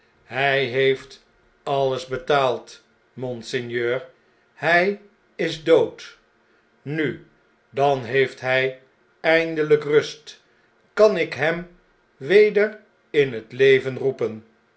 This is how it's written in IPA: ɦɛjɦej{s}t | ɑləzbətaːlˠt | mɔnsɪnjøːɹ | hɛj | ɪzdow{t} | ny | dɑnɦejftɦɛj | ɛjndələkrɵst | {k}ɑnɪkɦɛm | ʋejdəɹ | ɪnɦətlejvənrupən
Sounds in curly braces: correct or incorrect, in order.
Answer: incorrect: f, correct, correct

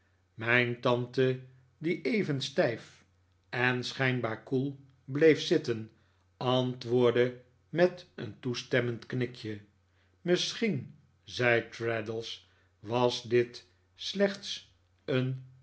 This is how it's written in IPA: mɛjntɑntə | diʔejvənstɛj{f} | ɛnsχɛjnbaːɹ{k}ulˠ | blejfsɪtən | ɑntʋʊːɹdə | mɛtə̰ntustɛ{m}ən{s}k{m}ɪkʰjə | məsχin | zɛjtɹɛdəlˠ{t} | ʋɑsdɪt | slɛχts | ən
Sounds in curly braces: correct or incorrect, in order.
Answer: correct, correct, correct, incorrect: t, incorrect: n, incorrect: s

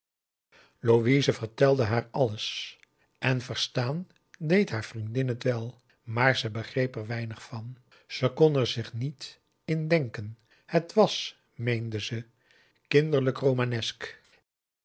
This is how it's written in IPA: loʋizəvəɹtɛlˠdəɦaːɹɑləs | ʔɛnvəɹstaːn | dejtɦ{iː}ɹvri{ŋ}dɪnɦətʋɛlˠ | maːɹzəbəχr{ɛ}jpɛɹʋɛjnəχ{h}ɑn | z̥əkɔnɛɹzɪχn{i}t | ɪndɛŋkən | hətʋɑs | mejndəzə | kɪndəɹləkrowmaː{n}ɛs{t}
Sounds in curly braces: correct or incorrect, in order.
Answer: incorrect: aː, incorrect: n, incorrect: e, incorrect: f, correct, correct, incorrect: k

